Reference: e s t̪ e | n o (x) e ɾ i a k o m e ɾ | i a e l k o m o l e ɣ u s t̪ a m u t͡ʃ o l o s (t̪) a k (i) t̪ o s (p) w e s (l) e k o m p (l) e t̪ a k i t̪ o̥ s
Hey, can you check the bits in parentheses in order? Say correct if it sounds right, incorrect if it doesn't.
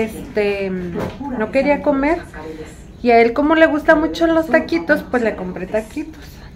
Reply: incorrect: k, correct, correct, correct, correct, incorrect: ɾ

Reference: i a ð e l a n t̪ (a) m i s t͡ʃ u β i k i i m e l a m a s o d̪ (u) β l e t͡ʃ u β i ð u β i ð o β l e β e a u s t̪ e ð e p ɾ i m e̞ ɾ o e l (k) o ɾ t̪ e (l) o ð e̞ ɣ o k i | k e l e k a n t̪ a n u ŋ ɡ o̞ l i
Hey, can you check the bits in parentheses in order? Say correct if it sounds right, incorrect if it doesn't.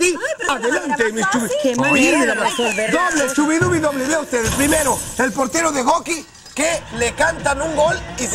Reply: incorrect: e, incorrect: o, incorrect: p, incorrect: ɾ

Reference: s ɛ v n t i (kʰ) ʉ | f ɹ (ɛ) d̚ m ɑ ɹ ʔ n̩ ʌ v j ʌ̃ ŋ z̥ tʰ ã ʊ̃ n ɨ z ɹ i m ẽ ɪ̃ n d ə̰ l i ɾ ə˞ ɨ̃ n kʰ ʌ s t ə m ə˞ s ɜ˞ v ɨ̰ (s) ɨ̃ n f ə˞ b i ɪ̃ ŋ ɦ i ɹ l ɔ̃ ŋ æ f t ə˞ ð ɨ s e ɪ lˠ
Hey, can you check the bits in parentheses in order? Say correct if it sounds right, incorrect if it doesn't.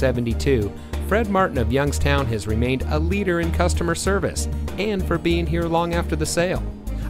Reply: incorrect: tʰ, correct, correct

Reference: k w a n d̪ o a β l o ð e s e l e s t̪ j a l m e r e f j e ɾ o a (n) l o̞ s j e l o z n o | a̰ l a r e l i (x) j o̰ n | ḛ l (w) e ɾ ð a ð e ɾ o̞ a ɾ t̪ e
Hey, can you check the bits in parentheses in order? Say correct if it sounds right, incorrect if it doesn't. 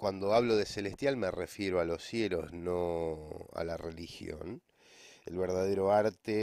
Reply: incorrect: none, correct, incorrect: β

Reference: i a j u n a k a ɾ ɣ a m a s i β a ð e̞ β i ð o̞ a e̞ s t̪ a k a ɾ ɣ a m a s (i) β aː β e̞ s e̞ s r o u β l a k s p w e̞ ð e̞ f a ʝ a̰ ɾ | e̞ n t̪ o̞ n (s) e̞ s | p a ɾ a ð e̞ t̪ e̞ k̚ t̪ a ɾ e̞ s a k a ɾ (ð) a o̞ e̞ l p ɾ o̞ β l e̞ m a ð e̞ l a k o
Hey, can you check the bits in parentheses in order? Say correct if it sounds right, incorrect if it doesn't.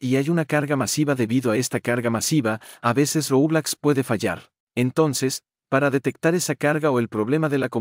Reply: correct, correct, incorrect: ɣ

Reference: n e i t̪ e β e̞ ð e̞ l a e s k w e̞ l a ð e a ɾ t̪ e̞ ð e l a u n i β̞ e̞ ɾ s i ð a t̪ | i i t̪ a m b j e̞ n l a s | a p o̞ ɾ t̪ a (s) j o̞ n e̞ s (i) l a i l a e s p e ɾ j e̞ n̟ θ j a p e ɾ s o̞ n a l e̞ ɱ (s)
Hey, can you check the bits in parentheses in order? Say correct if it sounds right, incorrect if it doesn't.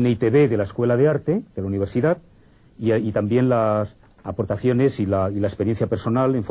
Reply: incorrect: θ, correct, incorrect: f

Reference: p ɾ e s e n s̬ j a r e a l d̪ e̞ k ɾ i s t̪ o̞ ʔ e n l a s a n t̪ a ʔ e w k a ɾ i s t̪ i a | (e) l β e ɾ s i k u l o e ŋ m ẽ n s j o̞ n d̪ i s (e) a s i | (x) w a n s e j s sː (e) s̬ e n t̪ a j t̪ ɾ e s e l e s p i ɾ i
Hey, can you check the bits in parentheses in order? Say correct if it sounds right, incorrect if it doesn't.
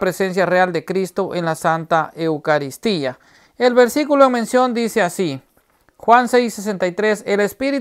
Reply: correct, correct, correct, correct

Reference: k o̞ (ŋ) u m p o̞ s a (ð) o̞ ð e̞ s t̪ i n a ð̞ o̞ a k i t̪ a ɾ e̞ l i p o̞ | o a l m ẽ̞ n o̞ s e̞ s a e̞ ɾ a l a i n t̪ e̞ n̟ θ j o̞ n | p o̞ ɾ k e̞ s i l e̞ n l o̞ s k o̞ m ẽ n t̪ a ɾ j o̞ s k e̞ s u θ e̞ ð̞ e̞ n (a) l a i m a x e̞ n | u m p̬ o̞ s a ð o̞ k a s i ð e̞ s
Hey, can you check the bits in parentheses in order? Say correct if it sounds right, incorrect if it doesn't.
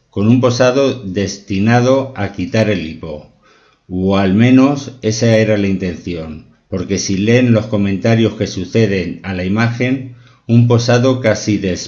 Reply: incorrect: n, correct, correct

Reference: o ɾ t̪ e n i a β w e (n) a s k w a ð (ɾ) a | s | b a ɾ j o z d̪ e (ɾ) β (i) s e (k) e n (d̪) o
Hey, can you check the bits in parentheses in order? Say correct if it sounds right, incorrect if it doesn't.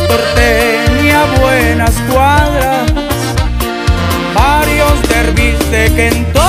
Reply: correct, correct, correct, correct, correct, incorrect: t̪

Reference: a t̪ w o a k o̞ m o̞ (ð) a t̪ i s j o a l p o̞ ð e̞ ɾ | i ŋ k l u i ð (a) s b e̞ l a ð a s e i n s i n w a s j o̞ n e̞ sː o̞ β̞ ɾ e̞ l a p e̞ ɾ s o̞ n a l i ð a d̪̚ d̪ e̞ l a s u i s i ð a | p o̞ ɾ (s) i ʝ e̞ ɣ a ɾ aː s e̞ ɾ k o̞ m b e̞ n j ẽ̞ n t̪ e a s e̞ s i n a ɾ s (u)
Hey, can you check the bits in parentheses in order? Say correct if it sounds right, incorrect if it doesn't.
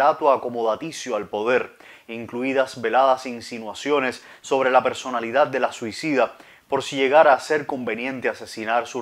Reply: correct, correct, correct, correct

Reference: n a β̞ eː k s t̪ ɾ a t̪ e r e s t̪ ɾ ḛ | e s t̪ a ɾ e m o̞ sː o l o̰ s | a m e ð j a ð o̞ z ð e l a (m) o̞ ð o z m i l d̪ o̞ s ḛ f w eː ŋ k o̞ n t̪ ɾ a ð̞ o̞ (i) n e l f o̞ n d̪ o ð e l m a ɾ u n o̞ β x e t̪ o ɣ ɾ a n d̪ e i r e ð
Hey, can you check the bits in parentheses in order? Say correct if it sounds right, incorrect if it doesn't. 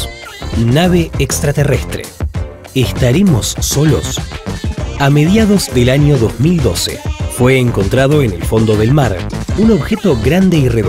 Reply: incorrect: ɲ, incorrect: e

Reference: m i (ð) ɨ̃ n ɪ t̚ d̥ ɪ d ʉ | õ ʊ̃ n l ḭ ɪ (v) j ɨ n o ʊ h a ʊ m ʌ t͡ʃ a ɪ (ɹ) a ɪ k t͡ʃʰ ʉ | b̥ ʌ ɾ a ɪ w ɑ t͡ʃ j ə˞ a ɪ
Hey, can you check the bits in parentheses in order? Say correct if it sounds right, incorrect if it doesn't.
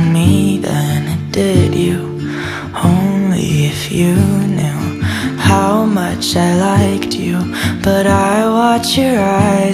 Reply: correct, incorrect: f, incorrect: l

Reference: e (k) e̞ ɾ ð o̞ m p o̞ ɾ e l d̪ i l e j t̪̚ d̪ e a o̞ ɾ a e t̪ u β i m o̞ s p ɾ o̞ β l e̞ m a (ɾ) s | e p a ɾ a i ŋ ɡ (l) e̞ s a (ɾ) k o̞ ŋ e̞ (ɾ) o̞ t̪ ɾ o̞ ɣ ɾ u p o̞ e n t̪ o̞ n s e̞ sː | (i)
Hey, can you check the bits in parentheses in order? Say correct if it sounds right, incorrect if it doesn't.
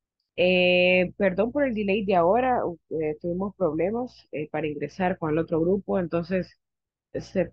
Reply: incorrect: p, incorrect: none, incorrect: ɾ, correct, incorrect: l, incorrect: e

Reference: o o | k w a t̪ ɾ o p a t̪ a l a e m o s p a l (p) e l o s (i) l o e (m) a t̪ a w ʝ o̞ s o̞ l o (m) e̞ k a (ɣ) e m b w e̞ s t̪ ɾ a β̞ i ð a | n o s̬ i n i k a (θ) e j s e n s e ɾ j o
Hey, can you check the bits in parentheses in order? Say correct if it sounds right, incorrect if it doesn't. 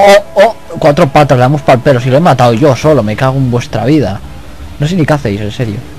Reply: correct, correct, correct, correct, correct, correct

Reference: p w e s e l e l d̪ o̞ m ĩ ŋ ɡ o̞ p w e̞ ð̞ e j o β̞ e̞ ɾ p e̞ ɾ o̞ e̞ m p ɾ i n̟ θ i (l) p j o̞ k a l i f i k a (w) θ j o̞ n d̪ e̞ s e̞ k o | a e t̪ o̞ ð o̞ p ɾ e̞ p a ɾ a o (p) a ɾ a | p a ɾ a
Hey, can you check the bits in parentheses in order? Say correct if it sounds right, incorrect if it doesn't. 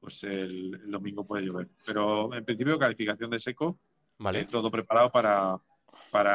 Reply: incorrect: none, incorrect: none, correct

